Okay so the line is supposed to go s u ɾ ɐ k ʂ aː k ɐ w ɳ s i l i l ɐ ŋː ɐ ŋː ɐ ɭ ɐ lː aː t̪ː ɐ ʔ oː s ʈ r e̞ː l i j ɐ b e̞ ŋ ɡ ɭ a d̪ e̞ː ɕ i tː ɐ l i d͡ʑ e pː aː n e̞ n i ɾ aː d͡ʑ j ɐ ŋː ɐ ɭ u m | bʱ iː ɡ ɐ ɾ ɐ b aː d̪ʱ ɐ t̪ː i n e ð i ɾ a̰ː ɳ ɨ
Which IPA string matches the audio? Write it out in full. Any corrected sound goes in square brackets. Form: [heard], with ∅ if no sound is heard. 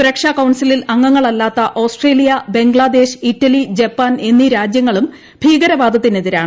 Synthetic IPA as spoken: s u ɾ ɐ k ʂ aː k ɐ w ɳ s i l i l ɐ ŋː ɐ ŋː ɐ ɭ ɐ lː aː t̪ː ɐ ʔ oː s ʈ r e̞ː l i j ɐ b e̞ ŋ ɡ ɭ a d̪ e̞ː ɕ i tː ɐ l i d͡ʑ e pː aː n e̞ [nː] i ɾ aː d͡ʑ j ɐ ŋː ɐ ɭ u m | bʱ iː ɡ ɐ ɾ ɐ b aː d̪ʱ ɐ t̪ː i n e ð i ɾ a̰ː ɳ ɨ

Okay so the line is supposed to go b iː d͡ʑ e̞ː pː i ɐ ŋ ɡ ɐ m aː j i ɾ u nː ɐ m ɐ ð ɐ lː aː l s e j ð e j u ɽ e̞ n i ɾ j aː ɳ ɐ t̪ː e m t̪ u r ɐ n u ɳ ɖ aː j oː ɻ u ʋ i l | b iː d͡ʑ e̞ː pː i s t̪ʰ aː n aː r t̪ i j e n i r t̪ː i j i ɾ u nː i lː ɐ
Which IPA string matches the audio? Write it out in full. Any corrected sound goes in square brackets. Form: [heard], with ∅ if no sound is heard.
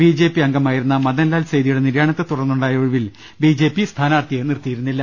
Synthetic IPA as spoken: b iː d͡ʑ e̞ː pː i ɐ ŋ ɡ ɐ m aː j i ɾ u nː ɐ m ɐ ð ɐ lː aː l s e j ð [i] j u ɽ e̞ n i ɾ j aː ɳ ɐ t̪ː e [∅] t̪ u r ɐ [nː] u ɳ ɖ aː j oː ɻ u ʋ i l | b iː d͡ʑ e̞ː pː i s t̪ʰ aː n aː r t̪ i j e n i r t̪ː i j i ɾ u nː i lː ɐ

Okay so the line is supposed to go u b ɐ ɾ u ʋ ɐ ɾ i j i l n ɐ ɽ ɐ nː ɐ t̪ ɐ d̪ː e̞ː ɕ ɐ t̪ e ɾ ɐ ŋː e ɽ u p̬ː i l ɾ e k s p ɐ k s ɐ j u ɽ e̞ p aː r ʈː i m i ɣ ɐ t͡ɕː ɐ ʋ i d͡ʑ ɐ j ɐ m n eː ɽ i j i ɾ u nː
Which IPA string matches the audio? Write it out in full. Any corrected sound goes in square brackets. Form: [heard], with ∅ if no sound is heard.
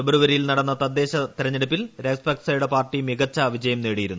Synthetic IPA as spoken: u b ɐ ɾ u ʋ ɐ ɾ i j i l n ɐ ɽ ɐ nː ɐ t̪ ɐ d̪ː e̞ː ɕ ɐ t̪ [i] ɾ ɐ [ɲː] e ɽ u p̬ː i l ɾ e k s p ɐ k s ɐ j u ɽ e̞ p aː r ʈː i m i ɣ ɐ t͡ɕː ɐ ʋ i d͡ʑ ɐ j ɐ m n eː ɽ i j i ɾ u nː

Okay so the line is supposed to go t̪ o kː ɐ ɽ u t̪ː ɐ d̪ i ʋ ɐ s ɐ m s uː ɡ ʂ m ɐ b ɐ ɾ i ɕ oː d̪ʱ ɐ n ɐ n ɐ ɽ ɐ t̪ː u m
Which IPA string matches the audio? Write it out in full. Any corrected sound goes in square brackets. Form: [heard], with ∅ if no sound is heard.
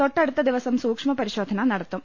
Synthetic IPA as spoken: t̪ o [ʈː] ɐ ɽ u t̪ː ɐ d̪ i ʋ ɐ s ɐ m s uː [k] ʂ m ɐ [p] ɐ ɾ i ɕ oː d̪ʱ ɐ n ɐ n ɐ ɽ ɐ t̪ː u m

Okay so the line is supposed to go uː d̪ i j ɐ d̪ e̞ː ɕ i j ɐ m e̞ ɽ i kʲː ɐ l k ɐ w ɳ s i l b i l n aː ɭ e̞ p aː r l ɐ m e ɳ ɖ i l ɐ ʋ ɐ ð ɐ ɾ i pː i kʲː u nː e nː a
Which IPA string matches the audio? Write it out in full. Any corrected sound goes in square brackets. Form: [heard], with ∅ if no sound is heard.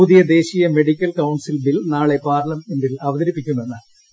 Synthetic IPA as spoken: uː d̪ i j ɐ d̪ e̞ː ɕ i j ɐ m e̞ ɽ i kʲː ɐ l k ɐ w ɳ s i l b i l n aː ɭ e̞ p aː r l ɐ m e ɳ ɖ i l ɐ ʋ ɐ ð ɐ ɾ i pː i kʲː u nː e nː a

